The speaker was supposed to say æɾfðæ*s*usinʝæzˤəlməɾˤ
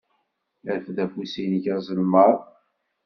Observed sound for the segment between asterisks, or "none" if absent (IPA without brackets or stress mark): f